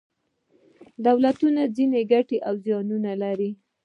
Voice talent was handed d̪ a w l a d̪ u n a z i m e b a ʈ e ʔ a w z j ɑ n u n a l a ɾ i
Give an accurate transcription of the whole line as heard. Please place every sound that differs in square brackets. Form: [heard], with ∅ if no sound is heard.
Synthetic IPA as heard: d̪ a w l a [t̪] u n a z i [n] e [ɡ] a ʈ e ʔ a w z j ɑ n u n a l a ɾ i